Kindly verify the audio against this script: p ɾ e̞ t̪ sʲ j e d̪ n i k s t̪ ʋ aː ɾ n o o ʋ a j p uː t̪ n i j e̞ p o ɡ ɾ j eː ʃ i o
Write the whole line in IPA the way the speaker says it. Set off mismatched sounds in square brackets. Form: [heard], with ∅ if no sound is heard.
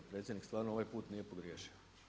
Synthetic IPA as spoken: p ɾ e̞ t̪ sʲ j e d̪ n i k s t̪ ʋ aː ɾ n o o ʋ a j p uː t̪ n i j e̞ p o ɡ ɾ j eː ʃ i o